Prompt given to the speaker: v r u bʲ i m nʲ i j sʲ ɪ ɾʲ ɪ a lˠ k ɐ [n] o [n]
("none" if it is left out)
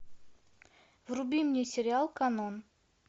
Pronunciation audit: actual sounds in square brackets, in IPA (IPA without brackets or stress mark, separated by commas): n, n